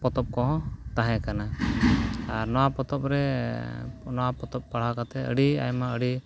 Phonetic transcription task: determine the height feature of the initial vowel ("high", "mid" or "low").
mid